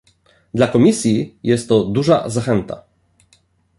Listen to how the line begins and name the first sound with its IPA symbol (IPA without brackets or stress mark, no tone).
d̪